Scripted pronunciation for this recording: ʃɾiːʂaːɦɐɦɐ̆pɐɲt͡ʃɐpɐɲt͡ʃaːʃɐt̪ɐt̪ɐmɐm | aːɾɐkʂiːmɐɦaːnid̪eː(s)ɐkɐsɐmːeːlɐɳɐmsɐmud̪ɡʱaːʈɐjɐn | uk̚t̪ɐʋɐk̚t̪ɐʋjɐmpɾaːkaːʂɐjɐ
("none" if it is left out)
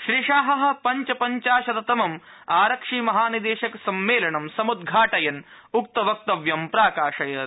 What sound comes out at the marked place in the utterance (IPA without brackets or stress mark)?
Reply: ʃ